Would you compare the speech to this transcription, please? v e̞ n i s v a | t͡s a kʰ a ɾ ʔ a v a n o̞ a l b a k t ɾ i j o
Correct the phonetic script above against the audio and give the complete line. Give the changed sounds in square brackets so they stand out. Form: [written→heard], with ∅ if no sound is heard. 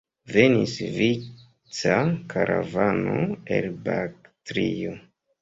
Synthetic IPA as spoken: v e̞ n i s v [a→i] | t͡s a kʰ a ɾ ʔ a v a n o̞ [a→e] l b a k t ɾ i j o